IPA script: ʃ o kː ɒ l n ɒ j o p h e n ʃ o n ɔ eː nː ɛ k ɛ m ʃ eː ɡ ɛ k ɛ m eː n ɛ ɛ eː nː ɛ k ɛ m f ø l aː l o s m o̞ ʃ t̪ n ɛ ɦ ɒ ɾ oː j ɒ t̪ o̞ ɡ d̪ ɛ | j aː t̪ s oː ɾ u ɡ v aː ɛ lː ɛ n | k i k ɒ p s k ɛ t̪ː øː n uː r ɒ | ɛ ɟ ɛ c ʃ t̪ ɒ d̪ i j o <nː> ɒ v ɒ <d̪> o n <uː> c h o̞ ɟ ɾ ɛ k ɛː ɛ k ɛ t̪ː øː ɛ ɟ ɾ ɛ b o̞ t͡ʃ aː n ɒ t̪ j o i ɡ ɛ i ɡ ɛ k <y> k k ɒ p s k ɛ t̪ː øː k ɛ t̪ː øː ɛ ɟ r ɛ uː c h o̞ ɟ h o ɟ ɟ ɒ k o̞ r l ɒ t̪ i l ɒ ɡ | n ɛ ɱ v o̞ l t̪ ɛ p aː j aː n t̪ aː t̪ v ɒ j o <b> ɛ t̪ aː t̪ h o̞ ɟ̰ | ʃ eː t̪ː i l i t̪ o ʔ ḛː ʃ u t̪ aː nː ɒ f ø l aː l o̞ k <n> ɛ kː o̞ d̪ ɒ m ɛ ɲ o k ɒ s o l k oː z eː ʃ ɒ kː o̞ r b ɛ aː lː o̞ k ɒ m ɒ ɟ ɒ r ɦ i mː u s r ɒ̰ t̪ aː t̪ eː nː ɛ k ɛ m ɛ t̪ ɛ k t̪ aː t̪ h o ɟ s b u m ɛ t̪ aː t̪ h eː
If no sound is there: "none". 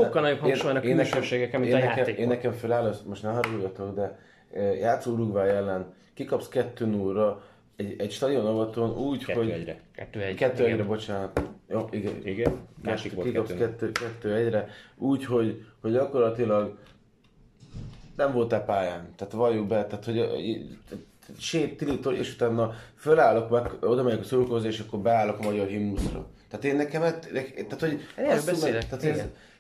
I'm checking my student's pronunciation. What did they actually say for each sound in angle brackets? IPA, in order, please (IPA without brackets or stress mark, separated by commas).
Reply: n, t̪, uː, i, b, m